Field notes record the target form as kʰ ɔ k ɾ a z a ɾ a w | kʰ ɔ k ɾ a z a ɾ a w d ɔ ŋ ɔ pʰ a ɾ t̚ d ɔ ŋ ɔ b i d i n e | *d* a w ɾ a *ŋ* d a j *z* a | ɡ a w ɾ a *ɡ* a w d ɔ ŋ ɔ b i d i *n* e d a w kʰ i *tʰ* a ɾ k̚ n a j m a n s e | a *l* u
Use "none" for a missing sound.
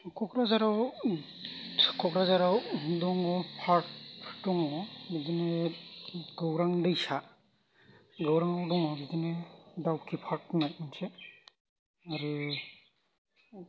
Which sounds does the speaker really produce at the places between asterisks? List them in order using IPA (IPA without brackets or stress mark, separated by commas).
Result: ɡ, ŋ, s, ŋ, n, pʰ, ɾ